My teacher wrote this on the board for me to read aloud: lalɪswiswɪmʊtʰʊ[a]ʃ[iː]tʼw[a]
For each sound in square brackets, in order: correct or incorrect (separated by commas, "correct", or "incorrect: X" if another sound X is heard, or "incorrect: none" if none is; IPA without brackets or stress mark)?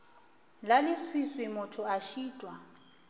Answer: correct, correct, correct